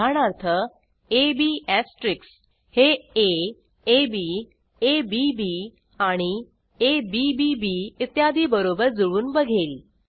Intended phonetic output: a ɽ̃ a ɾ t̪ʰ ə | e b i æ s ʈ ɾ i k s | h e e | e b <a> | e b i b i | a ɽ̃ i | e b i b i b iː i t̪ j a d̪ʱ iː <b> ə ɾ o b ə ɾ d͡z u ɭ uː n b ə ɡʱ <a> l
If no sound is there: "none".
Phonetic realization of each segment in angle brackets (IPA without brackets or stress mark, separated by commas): i, b, e